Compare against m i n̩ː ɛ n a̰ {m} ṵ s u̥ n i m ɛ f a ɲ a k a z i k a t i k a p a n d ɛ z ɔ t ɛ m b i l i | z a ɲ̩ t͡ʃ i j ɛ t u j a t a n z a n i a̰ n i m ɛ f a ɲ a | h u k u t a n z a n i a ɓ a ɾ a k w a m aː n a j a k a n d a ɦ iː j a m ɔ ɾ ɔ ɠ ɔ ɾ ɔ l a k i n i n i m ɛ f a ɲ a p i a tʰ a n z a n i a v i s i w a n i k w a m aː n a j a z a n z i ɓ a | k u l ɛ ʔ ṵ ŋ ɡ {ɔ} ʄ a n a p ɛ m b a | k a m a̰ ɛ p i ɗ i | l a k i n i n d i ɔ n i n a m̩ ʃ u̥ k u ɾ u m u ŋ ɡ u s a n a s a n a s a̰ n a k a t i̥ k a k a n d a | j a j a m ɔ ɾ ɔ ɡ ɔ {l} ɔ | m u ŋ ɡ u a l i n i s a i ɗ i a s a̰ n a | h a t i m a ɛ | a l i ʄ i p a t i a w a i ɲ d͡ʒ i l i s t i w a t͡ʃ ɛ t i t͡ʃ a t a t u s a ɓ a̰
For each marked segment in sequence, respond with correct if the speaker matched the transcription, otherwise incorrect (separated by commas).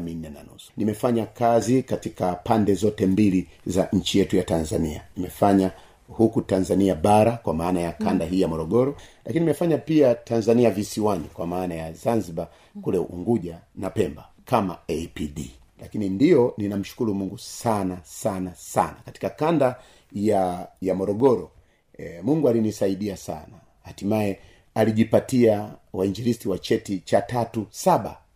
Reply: incorrect, incorrect, incorrect